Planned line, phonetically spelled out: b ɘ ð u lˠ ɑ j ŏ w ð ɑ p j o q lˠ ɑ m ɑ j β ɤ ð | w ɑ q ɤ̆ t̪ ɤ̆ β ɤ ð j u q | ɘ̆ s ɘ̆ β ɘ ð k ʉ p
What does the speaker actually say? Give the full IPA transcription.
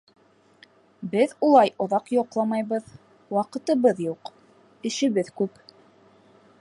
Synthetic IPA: b ɘ ð u lˠ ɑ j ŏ ð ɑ q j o q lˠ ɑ m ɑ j β ɤ ð | w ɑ q ɤ̆ t̪ ɤ̆ β ɤ ð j u q | ɘ̆ ʃ ɘ̆ β ɘ ð k ʉ p